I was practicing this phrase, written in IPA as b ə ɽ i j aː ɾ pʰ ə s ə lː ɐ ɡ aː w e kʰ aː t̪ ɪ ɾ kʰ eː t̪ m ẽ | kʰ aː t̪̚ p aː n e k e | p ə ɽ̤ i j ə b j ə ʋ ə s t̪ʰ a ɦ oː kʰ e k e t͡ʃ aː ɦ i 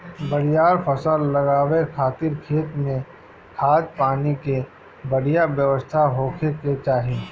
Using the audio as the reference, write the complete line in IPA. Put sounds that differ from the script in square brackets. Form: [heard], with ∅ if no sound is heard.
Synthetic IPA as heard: b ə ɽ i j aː ɾ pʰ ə s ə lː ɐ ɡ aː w e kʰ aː t̪ ɪ ɾ kʰ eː t̪ m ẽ | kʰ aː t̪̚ p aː n [i] k e | [b] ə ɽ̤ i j [a] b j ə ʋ ə s t̪ʰ a ɦ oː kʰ e k e t͡ʃ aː ɦ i

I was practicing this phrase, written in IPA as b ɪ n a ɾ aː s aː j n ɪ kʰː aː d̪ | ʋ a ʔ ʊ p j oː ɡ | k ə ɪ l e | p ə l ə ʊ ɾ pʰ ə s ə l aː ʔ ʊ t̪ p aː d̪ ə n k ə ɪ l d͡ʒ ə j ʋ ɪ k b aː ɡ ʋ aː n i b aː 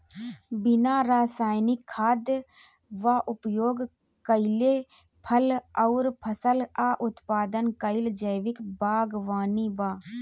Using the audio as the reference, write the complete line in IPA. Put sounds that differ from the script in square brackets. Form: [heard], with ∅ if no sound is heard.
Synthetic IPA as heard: b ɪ n a ɾ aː s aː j n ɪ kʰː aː d̪ | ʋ a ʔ ʊ p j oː ɡ | k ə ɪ l e | [pʰ] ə l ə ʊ ɾ pʰ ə s ə l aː ʔ ʊ t̪ p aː d̪ ə n k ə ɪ l d͡ʒ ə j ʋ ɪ k b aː ɡ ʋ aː n i b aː

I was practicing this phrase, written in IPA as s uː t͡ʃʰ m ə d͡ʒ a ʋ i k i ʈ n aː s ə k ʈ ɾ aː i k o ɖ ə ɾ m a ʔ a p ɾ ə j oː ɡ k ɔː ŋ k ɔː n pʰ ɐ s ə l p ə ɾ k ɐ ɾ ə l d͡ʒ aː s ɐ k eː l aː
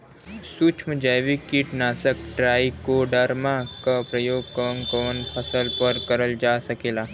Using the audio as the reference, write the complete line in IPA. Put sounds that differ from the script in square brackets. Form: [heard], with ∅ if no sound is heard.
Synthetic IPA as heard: s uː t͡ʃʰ m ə d͡ʒ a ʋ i k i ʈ n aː s ə k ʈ ɾ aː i k o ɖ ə ɾ m a [k] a p ɾ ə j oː ɡ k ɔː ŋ k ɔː n pʰ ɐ s ə l p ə ɾ k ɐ ɾ ə l d͡ʒ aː s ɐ k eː l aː

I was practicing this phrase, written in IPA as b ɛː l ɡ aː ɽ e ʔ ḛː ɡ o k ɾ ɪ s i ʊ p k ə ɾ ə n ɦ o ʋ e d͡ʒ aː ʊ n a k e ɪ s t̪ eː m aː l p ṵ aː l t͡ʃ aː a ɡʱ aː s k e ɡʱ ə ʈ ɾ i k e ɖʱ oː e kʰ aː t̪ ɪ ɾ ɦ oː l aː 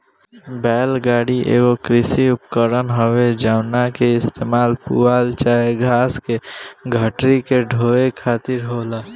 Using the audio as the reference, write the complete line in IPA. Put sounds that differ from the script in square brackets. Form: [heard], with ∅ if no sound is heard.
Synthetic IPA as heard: b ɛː l ɡ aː ɽ [i] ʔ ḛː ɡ o k ɾ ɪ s i ʊ p k ə ɾ ə n ɦ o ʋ e d͡ʒ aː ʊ n a k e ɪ s t̪ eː m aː l p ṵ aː l t͡ʃ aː [e] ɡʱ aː s k e ɡʱ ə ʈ ɾ i k e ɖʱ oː e kʰ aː t̪ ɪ ɾ ɦ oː l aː

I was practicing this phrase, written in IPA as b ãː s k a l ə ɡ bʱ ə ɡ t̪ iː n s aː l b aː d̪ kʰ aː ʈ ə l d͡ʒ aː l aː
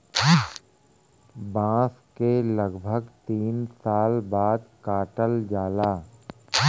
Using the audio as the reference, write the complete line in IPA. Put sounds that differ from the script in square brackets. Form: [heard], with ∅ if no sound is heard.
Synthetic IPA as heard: b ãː s k [e] l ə ɡ bʱ ə ɡ t̪ iː n s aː l b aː d̪ [k] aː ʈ ə l d͡ʒ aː l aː

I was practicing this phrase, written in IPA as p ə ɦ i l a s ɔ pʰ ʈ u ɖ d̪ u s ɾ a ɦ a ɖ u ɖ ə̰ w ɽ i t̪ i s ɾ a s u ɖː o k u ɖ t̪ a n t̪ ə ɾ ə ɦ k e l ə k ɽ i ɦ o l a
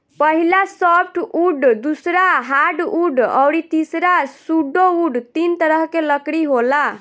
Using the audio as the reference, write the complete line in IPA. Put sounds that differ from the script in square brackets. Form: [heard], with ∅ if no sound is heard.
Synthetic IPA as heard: p ə ɦ i l a s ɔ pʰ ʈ u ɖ d̪ u s ɾ a ɦ a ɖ u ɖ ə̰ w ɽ i t̪ i s ɾ a s u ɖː o [∅] u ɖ t̪ [i] n t̪ ə ɾ ə ɦ k e l ə k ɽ i ɦ o l a

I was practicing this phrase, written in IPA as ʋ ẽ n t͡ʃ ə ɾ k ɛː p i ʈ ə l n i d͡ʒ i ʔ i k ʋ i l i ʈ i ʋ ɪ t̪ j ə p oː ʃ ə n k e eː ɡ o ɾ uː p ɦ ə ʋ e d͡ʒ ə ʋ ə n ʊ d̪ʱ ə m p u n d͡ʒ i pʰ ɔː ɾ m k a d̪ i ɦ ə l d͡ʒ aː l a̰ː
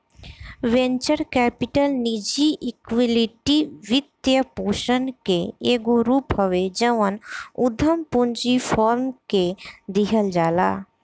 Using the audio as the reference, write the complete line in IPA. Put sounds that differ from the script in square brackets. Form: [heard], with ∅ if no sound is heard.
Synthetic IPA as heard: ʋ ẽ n t͡ʃ ə ɾ k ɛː p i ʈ ə l n i d͡ʒ i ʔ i k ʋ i l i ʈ i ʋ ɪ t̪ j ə p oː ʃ ə n k e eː ɡ o ɾ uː p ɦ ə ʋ e d͡ʒ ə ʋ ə n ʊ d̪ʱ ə m p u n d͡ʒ i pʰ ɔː ɾ m k [e] d̪ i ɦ ə l d͡ʒ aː l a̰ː

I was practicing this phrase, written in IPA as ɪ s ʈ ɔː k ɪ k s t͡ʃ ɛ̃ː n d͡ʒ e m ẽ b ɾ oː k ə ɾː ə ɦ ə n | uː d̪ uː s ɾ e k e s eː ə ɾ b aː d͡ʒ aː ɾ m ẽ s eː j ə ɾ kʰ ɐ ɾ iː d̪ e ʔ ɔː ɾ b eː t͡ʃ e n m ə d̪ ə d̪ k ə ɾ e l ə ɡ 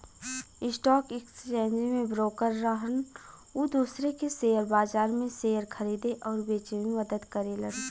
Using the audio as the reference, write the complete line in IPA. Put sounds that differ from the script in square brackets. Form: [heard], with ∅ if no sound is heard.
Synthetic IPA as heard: ɪ s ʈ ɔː k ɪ k s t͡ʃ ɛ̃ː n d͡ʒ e m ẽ b ɾ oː k ə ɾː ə ɦ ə n | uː d̪ uː s ɾ e k e s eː ə ɾ b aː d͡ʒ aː ɾ m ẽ s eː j ə ɾ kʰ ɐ ɾ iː d̪ e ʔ ɔː ɾ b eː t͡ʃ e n m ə d̪ ə d̪ k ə ɾ e l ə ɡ

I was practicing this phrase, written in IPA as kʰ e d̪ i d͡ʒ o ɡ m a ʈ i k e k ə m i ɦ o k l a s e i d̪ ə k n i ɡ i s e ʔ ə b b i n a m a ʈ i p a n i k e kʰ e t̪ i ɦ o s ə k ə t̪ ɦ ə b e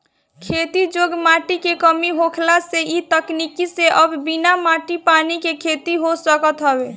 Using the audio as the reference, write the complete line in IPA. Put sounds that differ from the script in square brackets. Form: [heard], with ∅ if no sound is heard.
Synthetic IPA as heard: kʰ e [t̪] i d͡ʒ o ɡ m a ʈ i k e k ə m i ɦ o [kʰ] l a s e i [t̪] ə k n i [k] i s e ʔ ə b b i n a m a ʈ i p a n i k e kʰ e t̪ i ɦ o s ə k ə t̪ ɦ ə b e

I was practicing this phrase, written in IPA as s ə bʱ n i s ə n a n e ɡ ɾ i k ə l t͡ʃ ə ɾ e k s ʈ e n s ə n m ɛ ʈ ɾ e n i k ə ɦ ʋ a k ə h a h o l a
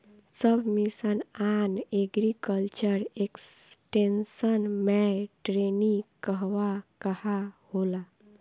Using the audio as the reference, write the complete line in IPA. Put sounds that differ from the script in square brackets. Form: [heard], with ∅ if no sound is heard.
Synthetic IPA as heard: s ə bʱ [m] i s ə n a n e ɡ ɾ i k ə l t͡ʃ ə ɾ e k s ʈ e n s ə n m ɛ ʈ ɾ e n i k ə ɦ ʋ a k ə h a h o l a

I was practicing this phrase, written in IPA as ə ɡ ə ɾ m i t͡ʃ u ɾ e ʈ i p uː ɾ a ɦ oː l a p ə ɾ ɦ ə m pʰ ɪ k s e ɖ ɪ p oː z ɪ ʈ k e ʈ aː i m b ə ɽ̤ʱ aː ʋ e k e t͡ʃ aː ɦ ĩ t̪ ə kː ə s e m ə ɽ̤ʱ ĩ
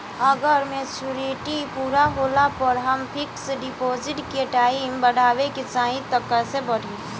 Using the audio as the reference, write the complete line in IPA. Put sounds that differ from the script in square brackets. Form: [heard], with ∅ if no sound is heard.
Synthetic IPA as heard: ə ɡ ə ɾ m [e] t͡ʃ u ɾ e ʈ i p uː ɾ a ɦ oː l a p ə ɾ ɦ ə m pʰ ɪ k s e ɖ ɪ p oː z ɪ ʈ k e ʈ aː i m b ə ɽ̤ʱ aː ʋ e k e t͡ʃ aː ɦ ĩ t̪ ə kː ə s e [b] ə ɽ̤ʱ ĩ

